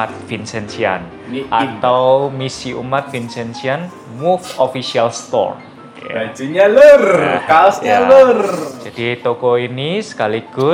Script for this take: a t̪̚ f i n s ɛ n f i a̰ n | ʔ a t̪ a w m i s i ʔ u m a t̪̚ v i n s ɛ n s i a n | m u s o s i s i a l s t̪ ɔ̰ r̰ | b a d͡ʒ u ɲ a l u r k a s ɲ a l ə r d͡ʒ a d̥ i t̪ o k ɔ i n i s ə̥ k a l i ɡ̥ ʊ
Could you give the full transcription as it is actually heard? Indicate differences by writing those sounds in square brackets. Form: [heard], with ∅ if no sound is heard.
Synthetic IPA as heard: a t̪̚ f i n s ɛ n [s] i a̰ n | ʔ a t̪ a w m i s i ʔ u m a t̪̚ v i n s ɛ n s i a n | m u [f] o [f] i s i a l s t̪ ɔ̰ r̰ | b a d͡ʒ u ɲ a l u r k a s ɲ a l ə r d͡ʒ a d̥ i t̪ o k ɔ i n i s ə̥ k a l i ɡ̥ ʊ